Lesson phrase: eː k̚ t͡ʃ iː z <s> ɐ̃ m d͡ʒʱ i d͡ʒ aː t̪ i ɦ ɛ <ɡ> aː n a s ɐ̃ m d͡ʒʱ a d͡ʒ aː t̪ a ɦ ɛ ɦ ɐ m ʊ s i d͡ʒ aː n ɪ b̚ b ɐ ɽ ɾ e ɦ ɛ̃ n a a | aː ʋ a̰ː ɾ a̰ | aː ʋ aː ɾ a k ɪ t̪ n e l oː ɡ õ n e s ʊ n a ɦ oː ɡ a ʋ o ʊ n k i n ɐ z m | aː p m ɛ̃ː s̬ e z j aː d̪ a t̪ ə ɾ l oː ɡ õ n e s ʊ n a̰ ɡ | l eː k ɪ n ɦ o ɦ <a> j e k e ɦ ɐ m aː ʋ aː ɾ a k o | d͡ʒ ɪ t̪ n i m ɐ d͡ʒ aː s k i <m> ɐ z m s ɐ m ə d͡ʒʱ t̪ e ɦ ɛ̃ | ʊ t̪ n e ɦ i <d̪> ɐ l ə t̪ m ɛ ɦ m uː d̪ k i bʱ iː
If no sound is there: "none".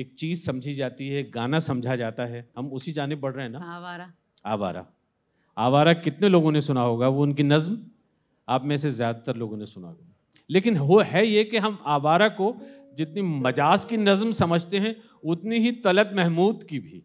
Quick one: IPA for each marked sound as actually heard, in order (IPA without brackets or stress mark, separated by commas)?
s, ɡ, ɛ, n, t̪